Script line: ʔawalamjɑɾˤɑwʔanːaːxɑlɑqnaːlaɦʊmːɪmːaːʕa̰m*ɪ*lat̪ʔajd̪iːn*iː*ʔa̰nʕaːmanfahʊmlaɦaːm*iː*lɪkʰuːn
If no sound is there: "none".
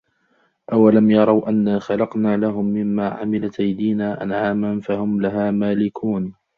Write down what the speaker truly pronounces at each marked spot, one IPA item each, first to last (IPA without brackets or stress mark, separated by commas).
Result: ɪ, aː, aː